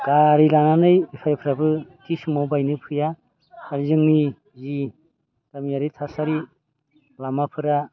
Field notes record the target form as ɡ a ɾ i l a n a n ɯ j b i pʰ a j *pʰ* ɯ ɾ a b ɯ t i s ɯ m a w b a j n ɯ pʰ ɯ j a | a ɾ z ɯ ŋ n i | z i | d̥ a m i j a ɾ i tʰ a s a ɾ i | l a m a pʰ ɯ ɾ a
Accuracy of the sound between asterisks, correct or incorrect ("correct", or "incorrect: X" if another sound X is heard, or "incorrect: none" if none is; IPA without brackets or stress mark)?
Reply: correct